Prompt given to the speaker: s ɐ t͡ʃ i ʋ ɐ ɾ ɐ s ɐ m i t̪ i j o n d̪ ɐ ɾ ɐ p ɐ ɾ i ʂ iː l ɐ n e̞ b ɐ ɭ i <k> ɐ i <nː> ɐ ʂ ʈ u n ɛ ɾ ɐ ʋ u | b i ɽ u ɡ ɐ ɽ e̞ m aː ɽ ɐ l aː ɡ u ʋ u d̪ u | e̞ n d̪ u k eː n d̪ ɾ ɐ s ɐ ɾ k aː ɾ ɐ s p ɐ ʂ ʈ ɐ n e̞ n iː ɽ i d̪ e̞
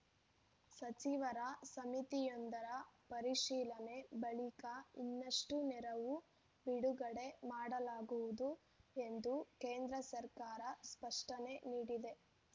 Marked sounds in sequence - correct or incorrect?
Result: correct, correct

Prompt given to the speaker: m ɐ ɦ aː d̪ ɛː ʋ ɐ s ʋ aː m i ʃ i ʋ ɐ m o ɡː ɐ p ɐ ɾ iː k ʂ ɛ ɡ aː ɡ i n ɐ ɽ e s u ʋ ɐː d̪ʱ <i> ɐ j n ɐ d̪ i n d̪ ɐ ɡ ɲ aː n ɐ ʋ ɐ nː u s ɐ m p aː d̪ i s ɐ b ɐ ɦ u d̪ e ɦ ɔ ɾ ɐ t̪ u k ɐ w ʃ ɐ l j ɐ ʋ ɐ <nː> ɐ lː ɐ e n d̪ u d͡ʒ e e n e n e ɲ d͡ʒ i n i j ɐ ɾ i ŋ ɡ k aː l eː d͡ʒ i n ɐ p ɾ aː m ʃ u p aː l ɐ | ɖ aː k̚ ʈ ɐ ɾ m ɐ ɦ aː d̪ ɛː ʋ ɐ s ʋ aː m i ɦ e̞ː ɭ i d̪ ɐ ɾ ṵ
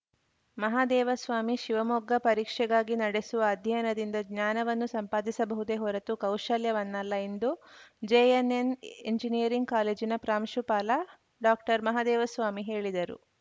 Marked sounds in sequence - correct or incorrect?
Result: incorrect: j, correct

